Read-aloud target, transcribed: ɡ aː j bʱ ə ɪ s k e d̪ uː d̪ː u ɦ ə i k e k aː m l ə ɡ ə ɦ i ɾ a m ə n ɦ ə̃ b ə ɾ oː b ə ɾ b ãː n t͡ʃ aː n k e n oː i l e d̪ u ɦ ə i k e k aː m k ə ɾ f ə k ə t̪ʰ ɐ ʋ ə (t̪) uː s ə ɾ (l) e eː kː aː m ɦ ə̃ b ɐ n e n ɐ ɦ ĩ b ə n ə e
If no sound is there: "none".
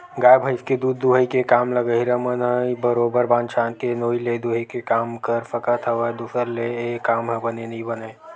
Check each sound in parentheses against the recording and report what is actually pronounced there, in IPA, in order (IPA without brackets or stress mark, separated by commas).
d̪, l